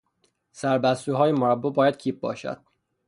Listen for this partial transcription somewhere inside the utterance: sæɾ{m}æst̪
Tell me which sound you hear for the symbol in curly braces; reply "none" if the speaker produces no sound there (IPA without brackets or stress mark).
b